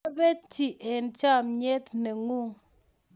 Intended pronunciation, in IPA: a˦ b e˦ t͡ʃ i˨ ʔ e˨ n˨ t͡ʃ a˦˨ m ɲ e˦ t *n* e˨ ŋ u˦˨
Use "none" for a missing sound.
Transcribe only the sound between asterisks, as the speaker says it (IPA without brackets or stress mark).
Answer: n